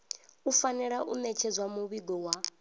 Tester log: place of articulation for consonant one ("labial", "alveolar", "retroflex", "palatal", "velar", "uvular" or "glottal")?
labial